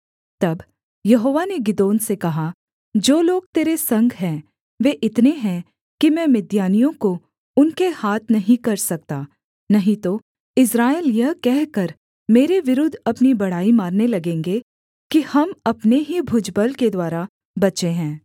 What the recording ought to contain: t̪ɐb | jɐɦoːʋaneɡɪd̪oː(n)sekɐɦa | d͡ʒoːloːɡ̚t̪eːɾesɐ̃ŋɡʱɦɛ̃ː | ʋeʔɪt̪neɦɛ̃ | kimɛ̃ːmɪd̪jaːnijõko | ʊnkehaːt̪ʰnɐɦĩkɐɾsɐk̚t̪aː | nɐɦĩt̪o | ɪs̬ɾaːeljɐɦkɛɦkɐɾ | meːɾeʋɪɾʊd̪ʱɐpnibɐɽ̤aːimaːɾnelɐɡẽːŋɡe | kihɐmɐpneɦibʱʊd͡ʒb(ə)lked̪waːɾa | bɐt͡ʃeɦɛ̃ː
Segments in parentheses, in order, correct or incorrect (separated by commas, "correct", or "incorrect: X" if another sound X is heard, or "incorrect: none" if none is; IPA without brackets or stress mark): correct, correct